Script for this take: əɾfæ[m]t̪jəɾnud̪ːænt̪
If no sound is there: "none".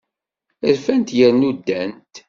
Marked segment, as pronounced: n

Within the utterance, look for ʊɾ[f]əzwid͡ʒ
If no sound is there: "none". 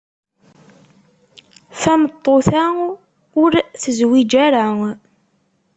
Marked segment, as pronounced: θ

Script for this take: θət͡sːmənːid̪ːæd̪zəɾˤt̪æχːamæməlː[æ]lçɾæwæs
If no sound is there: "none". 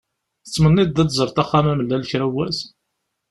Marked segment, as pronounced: æ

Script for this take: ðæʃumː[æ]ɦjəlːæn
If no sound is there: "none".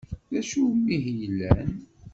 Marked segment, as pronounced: i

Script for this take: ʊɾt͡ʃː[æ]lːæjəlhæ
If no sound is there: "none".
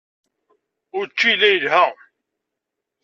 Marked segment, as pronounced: i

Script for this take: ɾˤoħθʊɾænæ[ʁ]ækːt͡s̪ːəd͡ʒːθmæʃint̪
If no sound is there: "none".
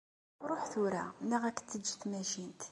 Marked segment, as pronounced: ʁ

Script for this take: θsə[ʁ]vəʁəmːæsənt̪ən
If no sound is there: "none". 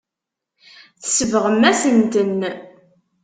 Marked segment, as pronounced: none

